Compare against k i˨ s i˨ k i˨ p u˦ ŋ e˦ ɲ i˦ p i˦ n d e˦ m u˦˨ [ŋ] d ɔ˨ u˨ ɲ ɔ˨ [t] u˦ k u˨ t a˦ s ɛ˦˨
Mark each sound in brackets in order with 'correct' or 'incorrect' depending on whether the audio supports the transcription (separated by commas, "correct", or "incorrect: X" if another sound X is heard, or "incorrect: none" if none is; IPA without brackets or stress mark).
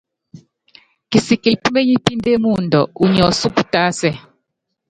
incorrect: n, incorrect: s